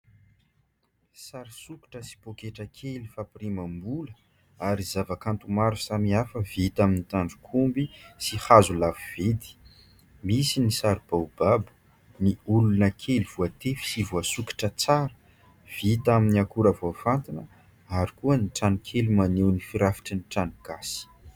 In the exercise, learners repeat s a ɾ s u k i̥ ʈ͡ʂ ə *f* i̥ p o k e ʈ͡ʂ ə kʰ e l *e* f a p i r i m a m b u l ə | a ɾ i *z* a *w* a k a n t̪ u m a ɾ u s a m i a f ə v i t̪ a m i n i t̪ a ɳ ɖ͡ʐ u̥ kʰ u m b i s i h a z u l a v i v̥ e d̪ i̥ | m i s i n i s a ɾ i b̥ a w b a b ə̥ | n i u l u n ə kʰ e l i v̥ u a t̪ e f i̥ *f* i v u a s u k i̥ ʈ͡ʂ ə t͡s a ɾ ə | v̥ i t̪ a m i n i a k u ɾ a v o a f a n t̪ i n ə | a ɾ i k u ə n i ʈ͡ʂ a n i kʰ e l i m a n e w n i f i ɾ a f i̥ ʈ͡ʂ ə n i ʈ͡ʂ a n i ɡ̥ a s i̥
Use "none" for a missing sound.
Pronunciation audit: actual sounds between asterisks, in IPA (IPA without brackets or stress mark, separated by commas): s, i, z, v, s